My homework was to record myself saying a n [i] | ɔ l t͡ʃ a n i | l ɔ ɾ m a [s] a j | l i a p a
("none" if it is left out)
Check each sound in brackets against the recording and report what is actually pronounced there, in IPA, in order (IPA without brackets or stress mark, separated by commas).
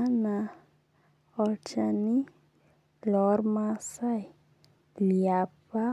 a, s